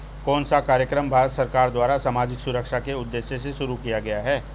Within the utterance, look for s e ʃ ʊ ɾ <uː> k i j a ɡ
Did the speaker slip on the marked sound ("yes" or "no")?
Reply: yes